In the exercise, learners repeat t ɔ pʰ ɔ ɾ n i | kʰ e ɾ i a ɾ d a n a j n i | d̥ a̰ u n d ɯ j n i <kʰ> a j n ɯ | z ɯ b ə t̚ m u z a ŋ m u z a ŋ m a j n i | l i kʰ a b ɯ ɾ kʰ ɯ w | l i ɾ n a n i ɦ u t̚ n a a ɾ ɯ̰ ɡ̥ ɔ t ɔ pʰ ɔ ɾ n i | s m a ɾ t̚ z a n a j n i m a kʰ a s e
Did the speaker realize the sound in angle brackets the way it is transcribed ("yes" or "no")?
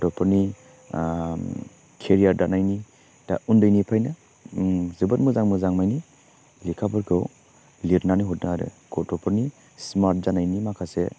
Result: no